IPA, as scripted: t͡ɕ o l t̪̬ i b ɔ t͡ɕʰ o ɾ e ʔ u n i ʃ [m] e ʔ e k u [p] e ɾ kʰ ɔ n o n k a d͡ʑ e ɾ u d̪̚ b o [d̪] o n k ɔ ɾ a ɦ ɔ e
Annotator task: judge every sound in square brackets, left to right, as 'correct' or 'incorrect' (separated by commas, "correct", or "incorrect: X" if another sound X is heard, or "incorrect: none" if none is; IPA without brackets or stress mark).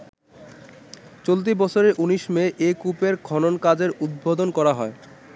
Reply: correct, correct, correct